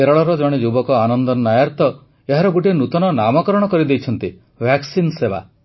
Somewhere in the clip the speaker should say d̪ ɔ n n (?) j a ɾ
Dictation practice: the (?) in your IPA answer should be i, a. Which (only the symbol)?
a